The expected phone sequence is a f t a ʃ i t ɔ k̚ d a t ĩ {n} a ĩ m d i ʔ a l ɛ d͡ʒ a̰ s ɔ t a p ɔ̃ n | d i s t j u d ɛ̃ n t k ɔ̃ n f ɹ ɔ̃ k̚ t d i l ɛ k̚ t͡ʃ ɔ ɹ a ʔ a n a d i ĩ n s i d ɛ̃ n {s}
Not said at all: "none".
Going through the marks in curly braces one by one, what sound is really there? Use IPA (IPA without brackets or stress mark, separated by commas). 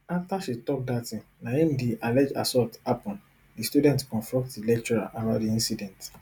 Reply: n, t